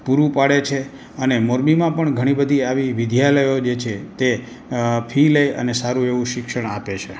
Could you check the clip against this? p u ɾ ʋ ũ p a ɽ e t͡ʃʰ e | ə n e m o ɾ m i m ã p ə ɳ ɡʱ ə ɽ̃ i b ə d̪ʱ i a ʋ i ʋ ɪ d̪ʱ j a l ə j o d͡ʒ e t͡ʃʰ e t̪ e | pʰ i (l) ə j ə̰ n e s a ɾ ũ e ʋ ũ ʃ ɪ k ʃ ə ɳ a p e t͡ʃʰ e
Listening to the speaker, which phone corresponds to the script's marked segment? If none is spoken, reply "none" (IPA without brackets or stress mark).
l